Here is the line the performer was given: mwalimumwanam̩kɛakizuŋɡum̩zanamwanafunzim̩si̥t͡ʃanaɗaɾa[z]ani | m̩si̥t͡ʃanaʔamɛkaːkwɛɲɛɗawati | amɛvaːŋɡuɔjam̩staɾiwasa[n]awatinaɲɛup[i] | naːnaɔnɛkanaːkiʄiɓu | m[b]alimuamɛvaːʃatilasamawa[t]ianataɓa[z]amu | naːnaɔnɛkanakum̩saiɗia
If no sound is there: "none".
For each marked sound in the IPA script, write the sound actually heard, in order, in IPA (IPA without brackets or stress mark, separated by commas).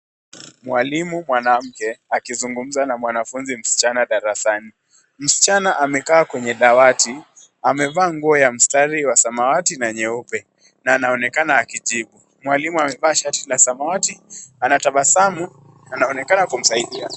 s, m, ɛ, w, t, s